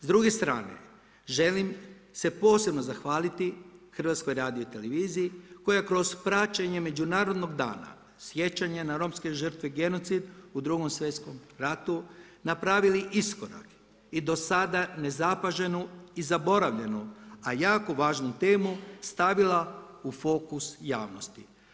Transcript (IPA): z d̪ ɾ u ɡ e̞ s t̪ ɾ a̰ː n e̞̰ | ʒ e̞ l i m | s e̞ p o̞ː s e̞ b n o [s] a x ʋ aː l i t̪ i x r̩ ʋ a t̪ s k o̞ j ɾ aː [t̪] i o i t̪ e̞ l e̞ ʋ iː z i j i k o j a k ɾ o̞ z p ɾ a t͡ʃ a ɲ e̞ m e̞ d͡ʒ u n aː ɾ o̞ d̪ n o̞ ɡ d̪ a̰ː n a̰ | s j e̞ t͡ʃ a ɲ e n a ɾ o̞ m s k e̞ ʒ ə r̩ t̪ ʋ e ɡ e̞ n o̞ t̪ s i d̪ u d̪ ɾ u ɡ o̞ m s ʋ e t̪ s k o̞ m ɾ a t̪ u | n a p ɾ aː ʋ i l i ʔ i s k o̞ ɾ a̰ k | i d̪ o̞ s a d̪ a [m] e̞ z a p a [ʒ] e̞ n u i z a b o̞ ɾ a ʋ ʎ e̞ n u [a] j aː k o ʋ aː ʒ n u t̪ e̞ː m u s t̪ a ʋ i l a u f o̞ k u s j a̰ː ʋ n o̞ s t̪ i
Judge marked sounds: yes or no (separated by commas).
no, no, no, yes, yes